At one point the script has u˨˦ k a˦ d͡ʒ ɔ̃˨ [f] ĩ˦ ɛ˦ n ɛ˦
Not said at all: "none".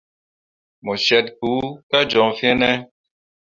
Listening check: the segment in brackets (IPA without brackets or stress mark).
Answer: f